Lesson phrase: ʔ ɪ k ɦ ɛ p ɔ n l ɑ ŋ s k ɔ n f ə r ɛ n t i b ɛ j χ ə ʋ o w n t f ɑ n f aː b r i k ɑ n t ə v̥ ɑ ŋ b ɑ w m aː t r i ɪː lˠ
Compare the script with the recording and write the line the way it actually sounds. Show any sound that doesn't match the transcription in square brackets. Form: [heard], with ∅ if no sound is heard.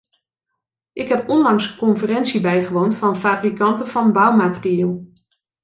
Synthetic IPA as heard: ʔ ɪ k ɦ ɛ p ɔ n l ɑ ŋ s k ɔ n f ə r ɛ n [s] i b ɛ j χ ə ʋ o w n t f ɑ n f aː b r i k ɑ n t ə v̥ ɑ [n] b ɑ w m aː t r i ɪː lˠ